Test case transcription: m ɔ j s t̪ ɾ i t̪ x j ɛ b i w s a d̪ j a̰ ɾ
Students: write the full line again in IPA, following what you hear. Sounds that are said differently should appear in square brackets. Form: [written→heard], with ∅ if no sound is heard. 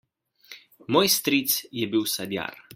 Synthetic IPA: m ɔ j s t̪ ɾ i t̪ [x→s] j ɛ b i w s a d̪ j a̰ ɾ